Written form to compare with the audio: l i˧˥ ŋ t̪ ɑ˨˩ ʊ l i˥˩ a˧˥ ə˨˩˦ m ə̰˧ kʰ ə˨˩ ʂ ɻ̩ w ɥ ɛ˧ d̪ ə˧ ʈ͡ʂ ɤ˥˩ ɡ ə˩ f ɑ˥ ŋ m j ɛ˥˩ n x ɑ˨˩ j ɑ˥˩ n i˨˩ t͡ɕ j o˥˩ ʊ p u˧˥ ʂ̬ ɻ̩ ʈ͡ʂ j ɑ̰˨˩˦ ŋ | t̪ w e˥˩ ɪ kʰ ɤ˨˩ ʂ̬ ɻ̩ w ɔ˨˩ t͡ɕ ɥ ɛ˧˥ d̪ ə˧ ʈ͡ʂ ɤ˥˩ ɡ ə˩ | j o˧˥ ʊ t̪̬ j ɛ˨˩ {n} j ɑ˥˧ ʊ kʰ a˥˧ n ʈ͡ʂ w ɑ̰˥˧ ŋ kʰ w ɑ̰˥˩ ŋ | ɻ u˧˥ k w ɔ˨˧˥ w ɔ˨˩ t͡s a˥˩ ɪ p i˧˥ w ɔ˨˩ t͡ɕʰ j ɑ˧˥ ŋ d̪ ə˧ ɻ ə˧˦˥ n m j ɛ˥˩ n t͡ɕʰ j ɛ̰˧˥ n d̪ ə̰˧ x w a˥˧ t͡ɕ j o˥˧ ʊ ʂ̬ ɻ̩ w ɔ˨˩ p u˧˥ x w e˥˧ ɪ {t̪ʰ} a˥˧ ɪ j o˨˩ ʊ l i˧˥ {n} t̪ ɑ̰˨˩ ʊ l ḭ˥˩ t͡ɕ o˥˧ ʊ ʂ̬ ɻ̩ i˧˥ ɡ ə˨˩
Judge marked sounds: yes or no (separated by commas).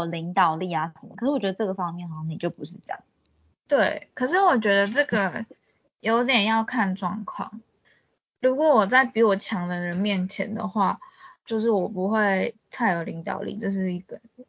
yes, yes, no